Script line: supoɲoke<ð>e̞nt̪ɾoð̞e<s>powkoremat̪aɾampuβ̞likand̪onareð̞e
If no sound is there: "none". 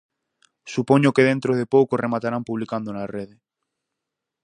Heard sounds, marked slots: ð, none

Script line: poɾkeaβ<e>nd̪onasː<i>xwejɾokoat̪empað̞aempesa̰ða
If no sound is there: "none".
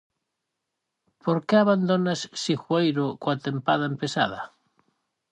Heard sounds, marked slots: a, i

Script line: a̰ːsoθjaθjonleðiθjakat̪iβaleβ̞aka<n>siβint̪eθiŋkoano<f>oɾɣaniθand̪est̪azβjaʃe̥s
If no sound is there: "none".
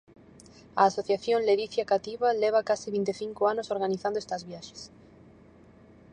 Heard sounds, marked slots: none, s

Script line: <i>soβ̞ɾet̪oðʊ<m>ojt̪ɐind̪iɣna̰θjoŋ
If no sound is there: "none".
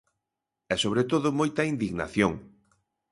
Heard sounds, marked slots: ɛ, m

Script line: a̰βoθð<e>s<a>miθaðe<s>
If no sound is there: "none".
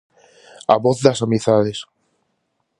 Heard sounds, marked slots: a, a, s

